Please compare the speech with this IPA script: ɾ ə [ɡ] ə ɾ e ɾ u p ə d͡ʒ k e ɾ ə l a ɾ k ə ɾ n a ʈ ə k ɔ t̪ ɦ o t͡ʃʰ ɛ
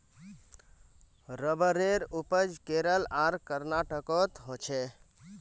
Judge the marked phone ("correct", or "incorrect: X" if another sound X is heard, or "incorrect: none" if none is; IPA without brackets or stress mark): incorrect: b